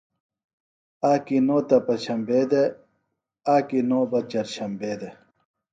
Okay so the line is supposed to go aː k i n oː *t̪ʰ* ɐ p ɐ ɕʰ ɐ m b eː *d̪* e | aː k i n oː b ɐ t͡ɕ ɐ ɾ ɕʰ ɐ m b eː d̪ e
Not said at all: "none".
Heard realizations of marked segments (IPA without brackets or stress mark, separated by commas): t̪, d̪